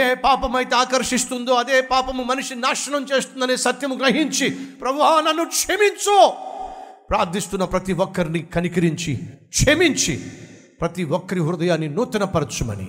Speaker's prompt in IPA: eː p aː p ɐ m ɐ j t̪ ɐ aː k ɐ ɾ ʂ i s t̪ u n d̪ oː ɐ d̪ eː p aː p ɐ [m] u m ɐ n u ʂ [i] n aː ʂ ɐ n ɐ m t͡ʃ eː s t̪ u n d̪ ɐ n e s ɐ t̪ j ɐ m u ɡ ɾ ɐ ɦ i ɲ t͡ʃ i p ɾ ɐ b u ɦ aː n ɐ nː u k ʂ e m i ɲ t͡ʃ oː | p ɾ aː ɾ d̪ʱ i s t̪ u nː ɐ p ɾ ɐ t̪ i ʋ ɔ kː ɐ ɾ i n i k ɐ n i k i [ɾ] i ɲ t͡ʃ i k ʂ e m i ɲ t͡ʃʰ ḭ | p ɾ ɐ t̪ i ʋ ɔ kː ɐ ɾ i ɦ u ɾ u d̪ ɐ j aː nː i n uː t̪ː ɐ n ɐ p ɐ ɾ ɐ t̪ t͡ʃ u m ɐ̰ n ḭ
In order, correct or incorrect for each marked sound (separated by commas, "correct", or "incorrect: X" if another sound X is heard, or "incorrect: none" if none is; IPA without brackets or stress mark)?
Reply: correct, correct, correct